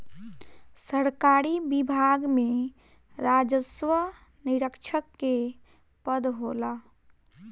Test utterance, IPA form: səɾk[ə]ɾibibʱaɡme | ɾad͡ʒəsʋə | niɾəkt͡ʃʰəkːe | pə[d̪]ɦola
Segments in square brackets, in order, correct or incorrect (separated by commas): incorrect, correct